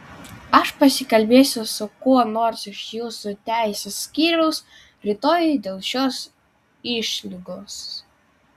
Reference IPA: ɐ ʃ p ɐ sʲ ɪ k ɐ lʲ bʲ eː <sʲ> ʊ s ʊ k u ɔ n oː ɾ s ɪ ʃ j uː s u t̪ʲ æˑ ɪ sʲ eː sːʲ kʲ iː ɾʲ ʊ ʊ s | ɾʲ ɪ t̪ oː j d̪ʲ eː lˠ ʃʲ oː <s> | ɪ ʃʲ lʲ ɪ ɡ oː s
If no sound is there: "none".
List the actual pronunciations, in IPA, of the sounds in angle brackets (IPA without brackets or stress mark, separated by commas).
sʲ, s